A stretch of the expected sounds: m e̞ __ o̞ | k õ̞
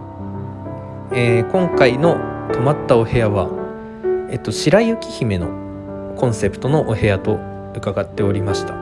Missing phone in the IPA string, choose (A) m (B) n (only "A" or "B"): B